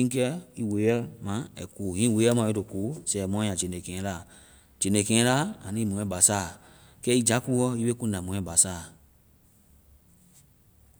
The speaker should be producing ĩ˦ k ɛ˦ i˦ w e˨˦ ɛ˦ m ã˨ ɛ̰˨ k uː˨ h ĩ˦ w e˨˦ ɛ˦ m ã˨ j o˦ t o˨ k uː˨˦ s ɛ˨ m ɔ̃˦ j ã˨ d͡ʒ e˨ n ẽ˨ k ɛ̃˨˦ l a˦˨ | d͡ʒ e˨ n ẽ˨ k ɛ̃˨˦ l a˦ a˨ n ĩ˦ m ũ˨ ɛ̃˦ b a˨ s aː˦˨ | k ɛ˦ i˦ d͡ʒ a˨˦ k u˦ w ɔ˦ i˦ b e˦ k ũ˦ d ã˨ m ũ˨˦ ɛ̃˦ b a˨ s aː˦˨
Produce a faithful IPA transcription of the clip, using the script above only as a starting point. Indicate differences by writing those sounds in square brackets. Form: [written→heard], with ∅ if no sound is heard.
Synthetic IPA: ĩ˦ k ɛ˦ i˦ w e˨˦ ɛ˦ m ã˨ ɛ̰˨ k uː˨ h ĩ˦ w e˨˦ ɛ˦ m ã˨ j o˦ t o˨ k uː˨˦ s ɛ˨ m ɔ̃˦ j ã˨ d͡ʒ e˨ n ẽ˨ k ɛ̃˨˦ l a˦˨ | d͡ʒ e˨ n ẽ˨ k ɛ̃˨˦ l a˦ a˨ n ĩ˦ m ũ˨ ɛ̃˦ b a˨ s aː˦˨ | k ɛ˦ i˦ d͡ʒ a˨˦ k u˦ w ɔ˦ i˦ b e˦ k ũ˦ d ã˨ m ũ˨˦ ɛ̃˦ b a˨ s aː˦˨